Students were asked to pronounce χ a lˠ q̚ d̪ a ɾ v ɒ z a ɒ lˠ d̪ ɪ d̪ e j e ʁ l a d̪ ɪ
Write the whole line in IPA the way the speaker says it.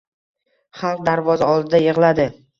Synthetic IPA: χ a lˠ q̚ d̪ a ɾ v ɒ z a ɒ lˠ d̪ ɪ d̪ a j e ʁ l a d̪ ɪ